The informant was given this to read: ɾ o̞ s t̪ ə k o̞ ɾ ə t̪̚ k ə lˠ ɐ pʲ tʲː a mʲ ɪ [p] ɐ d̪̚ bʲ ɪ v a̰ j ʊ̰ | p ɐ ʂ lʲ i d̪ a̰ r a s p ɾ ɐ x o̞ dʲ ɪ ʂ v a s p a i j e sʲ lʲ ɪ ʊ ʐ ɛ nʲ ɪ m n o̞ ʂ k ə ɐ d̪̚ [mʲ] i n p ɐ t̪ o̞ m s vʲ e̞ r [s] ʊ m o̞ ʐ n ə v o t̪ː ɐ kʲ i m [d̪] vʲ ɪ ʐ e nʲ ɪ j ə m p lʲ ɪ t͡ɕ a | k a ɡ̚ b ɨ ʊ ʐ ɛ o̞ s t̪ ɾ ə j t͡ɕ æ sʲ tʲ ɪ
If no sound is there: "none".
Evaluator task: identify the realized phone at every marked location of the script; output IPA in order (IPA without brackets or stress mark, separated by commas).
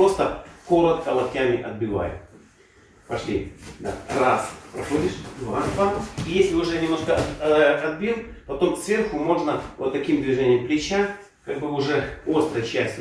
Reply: ʔ, bʲ, x, d̪